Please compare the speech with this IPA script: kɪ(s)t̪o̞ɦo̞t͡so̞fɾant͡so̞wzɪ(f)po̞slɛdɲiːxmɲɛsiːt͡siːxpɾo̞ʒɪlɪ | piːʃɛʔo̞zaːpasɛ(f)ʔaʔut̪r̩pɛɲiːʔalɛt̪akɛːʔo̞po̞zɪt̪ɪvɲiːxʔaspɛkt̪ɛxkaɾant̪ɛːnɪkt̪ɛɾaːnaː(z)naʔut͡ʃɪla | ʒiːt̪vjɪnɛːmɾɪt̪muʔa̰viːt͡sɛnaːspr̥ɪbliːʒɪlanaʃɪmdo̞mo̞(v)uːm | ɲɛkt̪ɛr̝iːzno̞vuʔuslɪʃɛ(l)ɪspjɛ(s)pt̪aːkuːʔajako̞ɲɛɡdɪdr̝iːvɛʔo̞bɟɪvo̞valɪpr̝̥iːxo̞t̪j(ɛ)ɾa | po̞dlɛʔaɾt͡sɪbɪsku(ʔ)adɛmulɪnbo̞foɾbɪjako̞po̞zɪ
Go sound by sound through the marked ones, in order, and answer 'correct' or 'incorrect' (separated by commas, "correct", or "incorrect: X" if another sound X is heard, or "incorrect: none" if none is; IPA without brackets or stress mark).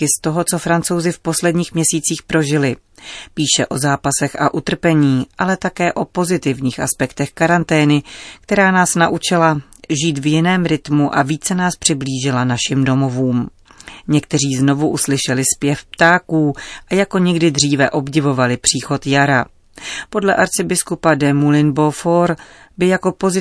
correct, correct, incorrect: x, incorrect: s, correct, correct, incorrect: f, incorrect: a, incorrect: p